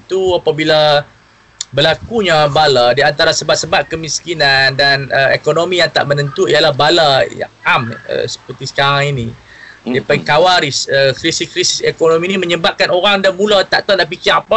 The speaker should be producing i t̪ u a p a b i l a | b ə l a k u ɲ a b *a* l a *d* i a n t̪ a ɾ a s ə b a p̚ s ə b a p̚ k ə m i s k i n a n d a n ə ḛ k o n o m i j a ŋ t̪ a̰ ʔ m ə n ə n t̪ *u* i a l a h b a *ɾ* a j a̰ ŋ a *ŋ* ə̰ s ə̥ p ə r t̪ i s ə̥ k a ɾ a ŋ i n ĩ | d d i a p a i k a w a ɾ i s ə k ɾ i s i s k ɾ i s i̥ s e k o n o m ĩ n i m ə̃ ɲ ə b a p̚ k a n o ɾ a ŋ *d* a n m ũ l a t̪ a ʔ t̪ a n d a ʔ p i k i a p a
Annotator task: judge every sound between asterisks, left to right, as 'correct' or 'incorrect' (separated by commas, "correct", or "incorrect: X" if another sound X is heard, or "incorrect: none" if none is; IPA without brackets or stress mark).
correct, correct, correct, incorrect: l, incorrect: m, correct